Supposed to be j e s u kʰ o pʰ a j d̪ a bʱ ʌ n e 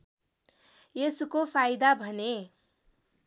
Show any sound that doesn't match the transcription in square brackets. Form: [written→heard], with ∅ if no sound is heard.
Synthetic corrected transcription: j e s u [kʰ→k] o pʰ a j d̪ a bʱ ʌ n e